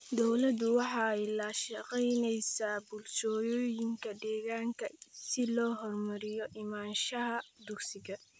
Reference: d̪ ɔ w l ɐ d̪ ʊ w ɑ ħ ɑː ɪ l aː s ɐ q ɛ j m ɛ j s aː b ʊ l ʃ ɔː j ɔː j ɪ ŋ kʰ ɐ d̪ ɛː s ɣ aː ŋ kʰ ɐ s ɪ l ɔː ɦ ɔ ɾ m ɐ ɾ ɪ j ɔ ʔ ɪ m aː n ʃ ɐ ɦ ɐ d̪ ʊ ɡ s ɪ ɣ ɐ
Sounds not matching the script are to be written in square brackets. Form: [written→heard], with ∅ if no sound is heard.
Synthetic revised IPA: d̪ ɔ w l ɐ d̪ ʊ w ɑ ħ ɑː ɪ l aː [s→ʃ] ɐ q ɛ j [m→n] ɛ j s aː b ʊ l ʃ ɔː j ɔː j ɪ ŋ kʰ ɐ d̪ ɛː [s→∅] ɣ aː ŋ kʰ ɐ s ɪ l ɔː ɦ ɔ [ɾ→r] m ɐ ɾ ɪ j ɔ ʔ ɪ m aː n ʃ ɐ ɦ ɐ d̪ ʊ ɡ s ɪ ɣ ɐ